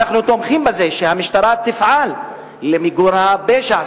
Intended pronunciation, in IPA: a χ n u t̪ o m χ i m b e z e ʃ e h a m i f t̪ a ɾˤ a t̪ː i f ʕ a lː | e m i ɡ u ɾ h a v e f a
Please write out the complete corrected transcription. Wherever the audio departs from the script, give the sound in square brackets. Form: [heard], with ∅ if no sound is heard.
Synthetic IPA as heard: a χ n u t̪ o m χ i m b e z e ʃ e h a m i [ʃ] t̪ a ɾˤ a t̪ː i f ʕ a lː | e m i ɡ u ɾ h a [b] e [ʃ] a